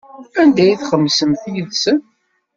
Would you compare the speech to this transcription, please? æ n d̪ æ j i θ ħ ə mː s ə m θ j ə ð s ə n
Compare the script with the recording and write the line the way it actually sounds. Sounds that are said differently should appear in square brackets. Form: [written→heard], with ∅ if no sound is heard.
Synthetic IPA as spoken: æ n d̪ æ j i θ [ħ→χ] ə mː s ə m θ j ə ð s ə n